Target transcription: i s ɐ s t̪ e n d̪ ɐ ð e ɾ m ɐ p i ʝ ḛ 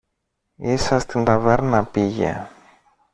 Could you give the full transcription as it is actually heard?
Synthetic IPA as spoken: i s ɐ s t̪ i n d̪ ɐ v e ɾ n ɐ p i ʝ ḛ